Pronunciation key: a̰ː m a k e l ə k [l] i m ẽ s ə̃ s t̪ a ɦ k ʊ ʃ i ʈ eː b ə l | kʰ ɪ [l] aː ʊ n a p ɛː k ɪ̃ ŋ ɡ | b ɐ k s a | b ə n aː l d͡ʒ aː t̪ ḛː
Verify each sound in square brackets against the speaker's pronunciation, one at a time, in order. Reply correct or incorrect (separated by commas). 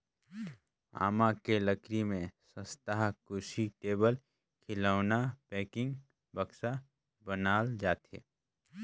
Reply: incorrect, correct